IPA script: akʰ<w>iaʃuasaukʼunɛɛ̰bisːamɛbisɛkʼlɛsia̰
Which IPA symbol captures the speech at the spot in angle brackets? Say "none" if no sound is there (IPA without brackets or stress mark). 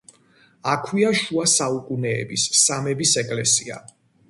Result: w